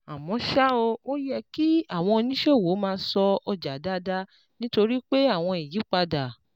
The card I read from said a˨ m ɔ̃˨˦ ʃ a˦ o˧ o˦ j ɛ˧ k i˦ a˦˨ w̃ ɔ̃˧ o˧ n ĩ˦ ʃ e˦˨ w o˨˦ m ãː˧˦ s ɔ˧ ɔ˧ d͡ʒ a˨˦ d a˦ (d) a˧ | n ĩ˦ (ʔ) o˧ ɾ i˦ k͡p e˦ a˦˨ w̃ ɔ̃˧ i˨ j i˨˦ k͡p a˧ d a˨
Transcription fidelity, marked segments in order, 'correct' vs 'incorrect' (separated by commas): correct, incorrect